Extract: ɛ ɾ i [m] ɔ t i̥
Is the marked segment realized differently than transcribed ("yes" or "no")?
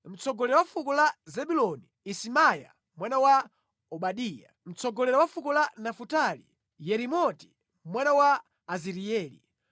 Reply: no